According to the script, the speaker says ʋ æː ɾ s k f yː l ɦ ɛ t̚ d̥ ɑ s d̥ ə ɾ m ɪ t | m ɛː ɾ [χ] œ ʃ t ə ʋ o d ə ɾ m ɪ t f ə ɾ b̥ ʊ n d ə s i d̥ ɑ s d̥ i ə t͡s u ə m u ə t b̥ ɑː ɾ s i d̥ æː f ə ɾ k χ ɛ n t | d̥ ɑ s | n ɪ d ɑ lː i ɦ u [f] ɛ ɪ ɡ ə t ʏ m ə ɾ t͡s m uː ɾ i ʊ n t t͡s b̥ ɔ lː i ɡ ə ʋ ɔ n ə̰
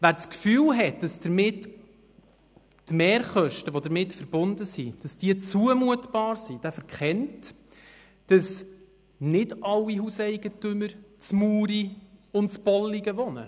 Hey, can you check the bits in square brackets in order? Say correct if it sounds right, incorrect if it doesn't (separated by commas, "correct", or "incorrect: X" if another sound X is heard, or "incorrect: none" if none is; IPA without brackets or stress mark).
correct, incorrect: s